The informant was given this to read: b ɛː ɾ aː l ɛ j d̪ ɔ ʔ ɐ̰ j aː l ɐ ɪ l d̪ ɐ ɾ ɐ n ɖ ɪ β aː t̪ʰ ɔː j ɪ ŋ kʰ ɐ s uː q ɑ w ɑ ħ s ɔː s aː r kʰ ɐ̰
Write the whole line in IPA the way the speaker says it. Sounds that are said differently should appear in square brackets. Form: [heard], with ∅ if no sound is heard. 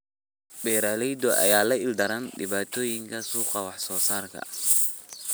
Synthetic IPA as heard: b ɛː ɾ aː l ɛ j d̪ ɔ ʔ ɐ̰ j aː l ɐ ɪ l d̪ ɐ ɾ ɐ n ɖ ɪ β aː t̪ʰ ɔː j ɪ ŋ kʰ ɐ s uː q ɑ w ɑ ħ s ɔː s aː r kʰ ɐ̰